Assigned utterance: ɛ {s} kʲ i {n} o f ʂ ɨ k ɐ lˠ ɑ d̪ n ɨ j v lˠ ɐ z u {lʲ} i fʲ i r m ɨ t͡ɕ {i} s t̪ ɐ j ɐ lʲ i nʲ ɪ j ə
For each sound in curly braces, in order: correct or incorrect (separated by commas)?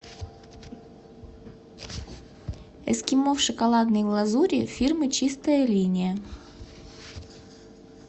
correct, incorrect, incorrect, correct